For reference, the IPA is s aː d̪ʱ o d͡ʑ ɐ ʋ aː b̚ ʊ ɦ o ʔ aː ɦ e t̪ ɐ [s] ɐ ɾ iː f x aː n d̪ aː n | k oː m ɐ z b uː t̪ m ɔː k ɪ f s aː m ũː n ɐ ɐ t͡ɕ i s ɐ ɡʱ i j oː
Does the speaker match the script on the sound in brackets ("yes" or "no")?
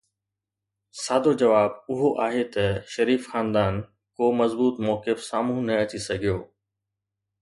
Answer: no